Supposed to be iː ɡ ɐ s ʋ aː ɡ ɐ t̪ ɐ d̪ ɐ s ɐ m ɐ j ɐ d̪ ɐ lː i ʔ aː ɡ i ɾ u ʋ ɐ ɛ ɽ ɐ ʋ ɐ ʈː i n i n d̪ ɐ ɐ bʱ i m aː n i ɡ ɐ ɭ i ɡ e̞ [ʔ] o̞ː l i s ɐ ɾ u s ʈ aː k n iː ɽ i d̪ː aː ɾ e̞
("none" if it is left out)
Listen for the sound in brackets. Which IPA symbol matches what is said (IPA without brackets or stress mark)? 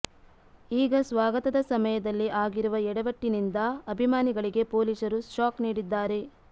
p